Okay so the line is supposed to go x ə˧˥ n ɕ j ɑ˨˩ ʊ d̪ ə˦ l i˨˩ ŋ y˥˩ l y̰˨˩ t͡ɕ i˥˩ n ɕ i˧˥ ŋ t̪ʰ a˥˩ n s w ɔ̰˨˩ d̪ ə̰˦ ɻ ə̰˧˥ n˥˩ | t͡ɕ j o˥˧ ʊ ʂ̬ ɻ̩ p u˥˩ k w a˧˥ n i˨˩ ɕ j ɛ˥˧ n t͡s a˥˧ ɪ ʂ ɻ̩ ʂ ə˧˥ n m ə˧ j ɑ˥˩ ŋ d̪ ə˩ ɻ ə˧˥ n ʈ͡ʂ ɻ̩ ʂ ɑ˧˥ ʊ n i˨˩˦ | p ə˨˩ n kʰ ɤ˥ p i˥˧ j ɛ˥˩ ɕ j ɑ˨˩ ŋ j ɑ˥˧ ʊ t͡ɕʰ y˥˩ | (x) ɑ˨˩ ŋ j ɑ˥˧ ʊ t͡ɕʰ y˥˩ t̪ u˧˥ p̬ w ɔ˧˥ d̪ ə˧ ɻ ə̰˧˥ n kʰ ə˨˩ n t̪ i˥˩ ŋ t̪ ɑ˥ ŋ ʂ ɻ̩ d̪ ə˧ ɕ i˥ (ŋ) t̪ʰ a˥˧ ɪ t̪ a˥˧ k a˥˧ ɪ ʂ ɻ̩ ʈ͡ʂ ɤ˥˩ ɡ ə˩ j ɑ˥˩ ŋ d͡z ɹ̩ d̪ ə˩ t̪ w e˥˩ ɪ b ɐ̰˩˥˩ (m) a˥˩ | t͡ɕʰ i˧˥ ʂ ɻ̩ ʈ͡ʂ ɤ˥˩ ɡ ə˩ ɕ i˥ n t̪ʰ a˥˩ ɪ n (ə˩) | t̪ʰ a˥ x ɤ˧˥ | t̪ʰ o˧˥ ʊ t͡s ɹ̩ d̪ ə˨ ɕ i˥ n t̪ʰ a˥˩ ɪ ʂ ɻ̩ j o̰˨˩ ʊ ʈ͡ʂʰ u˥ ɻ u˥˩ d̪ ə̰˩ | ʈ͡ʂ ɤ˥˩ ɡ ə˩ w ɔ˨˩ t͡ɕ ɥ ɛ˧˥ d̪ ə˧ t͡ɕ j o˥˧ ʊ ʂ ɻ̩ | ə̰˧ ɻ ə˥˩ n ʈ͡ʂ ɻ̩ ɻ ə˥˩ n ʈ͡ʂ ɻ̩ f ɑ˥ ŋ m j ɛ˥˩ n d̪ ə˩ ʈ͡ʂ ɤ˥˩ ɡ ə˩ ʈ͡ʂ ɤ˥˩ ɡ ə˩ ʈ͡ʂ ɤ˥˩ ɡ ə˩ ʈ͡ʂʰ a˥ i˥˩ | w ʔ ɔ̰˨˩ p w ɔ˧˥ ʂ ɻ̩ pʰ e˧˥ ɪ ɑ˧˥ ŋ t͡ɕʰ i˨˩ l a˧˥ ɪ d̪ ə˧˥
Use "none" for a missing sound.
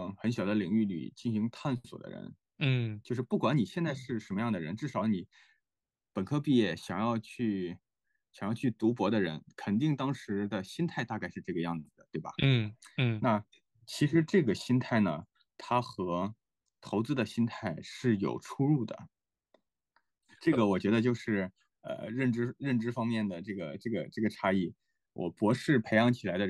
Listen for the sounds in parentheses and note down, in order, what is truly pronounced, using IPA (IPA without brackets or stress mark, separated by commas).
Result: ɕ, n, n, ə˩